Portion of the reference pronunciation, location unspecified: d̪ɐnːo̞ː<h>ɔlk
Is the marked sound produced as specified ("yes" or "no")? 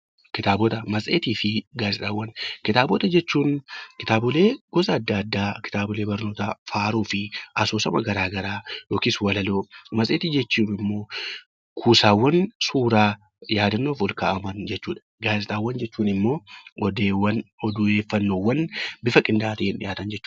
no